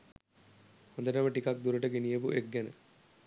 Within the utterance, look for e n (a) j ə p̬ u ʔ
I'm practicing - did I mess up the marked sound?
yes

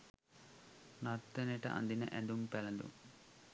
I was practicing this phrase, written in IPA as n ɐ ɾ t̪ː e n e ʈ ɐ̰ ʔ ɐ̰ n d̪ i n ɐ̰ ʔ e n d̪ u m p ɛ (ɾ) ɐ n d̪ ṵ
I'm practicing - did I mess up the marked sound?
yes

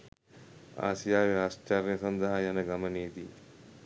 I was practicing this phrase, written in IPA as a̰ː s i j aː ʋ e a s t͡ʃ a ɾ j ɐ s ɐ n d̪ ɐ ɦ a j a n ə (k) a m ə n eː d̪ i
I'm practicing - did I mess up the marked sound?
yes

